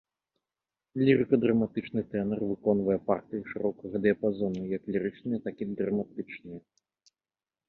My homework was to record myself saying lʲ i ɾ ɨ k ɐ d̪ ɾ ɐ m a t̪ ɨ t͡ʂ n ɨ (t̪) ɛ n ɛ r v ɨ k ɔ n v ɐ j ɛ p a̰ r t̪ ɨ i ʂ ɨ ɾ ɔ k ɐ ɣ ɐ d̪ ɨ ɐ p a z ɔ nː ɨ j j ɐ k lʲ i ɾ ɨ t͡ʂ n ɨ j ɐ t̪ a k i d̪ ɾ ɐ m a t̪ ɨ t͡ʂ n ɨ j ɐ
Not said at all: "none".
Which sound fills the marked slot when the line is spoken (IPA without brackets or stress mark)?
t̪